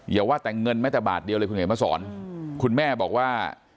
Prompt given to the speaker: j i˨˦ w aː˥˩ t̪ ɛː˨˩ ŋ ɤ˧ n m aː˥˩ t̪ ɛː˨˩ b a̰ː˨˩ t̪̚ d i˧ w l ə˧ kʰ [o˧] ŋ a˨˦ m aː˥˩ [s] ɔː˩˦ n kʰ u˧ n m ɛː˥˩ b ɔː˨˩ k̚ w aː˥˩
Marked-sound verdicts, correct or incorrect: incorrect: u˧, correct

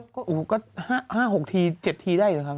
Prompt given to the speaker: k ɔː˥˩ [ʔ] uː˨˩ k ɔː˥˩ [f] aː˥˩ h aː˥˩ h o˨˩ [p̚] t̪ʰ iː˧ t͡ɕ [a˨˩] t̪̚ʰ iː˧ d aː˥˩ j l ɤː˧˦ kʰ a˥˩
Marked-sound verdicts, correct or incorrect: correct, incorrect: h, incorrect: k̚, incorrect: e˨˩

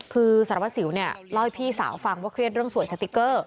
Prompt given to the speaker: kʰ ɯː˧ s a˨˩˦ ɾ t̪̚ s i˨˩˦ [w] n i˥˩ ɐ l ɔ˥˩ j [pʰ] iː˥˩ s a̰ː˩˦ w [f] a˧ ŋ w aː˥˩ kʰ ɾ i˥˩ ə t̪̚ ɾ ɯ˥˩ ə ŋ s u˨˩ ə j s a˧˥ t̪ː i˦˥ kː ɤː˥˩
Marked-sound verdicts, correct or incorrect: correct, correct, correct

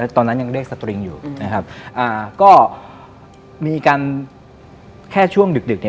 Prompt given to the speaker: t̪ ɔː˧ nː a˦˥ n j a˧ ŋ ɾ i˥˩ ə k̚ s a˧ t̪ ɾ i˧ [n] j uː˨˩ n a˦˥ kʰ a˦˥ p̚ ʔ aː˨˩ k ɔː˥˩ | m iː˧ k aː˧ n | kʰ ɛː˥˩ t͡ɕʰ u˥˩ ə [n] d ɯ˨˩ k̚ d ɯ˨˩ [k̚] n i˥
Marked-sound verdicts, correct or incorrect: incorrect: ŋ, incorrect: ŋ, correct

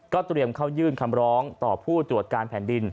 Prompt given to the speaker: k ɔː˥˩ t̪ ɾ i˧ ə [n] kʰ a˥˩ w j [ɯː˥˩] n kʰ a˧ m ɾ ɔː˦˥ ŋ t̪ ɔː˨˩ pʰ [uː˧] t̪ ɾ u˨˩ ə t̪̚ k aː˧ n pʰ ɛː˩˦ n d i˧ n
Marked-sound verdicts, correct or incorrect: incorrect: m, correct, incorrect: uː˥˩

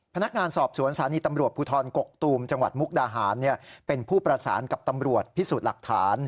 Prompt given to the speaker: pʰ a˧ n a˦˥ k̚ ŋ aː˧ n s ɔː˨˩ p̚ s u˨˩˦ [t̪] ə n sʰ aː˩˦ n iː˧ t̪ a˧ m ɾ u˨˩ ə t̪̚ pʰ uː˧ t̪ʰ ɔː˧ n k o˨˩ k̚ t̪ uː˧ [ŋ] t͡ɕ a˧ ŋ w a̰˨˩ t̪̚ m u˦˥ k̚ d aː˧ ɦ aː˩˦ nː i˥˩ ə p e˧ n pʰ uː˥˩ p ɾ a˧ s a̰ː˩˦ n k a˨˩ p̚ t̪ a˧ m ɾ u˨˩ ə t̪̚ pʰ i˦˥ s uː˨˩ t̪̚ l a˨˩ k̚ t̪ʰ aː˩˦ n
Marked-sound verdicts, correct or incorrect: incorrect: none, incorrect: m

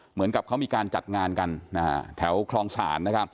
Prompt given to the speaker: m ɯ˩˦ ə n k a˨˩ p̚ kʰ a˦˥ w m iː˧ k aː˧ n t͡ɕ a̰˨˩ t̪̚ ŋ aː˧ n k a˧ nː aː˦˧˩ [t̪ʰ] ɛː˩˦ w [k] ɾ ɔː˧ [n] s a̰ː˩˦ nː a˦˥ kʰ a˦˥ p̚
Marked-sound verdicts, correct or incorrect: correct, incorrect: kʰ, incorrect: ŋ

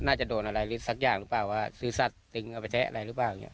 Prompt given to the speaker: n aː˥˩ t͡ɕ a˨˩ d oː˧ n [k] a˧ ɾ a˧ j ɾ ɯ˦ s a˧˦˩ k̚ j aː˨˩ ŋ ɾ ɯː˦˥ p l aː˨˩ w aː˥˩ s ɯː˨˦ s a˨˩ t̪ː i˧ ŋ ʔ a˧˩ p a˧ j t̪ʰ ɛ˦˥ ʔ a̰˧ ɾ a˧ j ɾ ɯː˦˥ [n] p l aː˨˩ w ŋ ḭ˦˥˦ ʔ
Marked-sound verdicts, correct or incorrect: incorrect: ʔ, incorrect: none

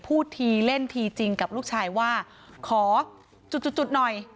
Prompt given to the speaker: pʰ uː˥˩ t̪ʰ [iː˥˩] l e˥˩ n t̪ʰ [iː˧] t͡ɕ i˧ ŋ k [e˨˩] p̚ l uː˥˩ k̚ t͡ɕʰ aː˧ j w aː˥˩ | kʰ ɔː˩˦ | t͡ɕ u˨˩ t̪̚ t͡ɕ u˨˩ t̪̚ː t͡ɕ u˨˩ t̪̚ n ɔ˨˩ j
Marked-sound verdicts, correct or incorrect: incorrect: iː˧, correct, incorrect: a˨˩

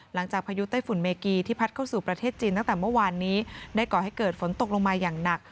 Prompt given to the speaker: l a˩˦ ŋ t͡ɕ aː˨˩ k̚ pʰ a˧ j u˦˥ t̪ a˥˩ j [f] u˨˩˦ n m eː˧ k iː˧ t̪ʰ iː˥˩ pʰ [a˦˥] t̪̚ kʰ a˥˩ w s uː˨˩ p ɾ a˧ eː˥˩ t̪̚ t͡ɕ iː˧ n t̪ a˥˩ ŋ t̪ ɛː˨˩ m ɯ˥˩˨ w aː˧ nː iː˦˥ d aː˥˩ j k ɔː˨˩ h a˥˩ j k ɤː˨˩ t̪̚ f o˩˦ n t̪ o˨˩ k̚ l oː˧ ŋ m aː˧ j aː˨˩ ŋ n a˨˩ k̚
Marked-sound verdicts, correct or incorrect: correct, correct

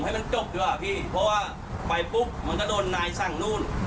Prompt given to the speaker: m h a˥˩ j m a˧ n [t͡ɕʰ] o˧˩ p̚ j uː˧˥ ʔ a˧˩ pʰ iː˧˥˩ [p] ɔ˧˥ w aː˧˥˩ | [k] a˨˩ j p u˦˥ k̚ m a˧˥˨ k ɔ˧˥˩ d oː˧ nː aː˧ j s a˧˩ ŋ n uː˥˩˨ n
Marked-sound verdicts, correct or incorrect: incorrect: t͡ɕ, incorrect: pʰ, incorrect: p

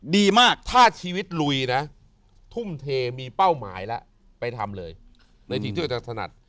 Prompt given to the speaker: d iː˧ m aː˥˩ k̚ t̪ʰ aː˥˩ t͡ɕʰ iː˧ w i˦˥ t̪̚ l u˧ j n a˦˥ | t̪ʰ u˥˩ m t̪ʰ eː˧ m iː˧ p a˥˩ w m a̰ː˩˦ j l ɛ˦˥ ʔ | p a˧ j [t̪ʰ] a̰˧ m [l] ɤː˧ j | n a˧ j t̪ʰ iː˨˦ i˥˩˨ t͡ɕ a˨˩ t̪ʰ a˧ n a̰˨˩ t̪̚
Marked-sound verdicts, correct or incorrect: correct, correct

